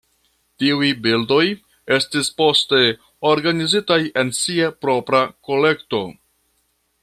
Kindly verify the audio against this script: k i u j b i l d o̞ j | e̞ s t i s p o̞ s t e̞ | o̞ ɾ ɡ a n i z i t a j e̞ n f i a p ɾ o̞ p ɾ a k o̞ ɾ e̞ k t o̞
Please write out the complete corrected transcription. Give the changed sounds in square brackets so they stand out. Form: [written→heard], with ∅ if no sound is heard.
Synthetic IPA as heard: [k→t] i u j b i l d o̞ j | e̞ s t i s p o̞ s t e̞ | o̞ ɾ ɡ a n i z i t a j e̞ n [f→s] i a p ɾ o̞ p ɾ a k o̞ [ɾ→l] e̞ k t o̞